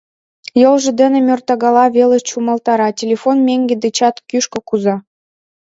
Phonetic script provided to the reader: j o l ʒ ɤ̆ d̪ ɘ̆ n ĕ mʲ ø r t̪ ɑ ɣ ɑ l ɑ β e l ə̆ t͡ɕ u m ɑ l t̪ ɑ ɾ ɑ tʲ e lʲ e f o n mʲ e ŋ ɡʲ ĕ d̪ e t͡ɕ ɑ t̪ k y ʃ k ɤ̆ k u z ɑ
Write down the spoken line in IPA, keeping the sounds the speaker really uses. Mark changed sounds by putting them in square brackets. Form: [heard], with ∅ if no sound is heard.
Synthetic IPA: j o l ʒ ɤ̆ d̪ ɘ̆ n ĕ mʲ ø r t̪ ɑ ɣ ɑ l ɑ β e l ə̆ t͡ɕ u m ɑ l t̪ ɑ ɾ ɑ tʲ e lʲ e f o n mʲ e ŋ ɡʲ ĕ d̪ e t͡ɕ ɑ t̪ k y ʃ k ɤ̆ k u z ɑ